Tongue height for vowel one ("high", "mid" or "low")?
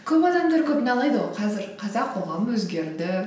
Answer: mid